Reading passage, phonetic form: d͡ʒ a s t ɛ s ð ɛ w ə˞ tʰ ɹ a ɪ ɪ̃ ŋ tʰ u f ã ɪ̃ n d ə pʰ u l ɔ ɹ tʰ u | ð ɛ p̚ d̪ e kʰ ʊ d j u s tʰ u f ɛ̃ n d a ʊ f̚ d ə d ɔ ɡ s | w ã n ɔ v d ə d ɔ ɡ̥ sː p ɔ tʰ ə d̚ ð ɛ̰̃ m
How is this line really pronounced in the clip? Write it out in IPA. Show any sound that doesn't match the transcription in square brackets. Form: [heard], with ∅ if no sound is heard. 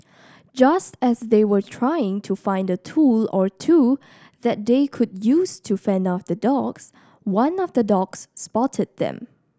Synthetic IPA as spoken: d͡ʒ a s t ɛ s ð [e] w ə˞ tʰ ɹ a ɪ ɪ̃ ŋ tʰ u f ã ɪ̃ n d ə [tʰ] u l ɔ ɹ tʰ u | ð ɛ [t̚] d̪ e kʰ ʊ d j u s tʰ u f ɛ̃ n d a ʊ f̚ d ə d ɔ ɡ s | w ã n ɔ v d ə d ɔ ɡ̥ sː p ɔ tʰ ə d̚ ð ɛ̰̃ m